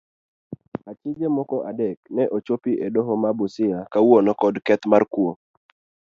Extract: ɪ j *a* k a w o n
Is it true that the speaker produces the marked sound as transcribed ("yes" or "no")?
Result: yes